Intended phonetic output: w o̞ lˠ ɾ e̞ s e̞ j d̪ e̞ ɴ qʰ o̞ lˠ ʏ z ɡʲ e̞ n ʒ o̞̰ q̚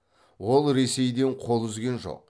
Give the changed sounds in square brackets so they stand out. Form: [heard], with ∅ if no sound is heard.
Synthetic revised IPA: w o̞ lˠ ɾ e̞ s e̞ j d̪ e̞ ɴ qʰ o̞ lˠ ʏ z ɡʲ e̞ n ʒ o̞̰ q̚